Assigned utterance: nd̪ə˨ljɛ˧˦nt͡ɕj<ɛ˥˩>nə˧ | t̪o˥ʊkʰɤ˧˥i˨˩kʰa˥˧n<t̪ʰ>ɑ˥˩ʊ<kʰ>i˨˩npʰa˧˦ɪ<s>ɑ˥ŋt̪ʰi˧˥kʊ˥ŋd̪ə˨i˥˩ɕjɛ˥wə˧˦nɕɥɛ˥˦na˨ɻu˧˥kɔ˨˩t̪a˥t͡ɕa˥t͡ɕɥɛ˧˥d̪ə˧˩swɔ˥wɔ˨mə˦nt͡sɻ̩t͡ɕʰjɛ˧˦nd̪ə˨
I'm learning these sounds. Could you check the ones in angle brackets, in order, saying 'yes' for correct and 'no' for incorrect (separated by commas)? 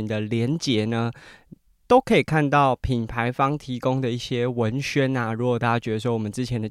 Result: no, no, no, no